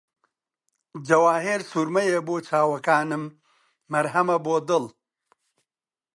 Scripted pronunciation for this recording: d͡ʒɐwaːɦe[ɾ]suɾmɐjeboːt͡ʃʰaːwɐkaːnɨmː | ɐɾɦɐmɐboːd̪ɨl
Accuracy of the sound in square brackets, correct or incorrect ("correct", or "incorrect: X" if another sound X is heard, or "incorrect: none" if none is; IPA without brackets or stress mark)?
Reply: correct